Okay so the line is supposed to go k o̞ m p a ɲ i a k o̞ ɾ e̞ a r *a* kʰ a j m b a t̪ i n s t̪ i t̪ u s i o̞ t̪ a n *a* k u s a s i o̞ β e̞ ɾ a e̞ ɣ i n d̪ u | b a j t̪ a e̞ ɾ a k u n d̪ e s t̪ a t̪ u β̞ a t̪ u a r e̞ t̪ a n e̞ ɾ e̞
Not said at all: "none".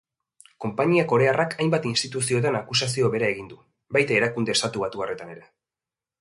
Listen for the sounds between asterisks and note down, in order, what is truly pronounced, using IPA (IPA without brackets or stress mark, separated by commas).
a, a